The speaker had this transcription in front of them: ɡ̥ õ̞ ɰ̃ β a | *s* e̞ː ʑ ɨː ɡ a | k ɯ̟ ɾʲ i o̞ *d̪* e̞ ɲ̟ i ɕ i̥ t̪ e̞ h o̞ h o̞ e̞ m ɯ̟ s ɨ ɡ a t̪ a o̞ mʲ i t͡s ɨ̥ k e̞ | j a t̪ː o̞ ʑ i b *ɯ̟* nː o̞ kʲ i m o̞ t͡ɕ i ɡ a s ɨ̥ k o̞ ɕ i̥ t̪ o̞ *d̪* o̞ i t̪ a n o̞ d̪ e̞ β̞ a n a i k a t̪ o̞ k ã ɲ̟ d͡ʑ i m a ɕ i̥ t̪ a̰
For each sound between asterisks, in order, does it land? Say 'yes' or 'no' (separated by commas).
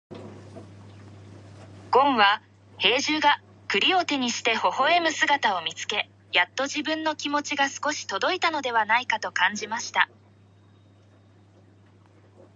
no, no, no, yes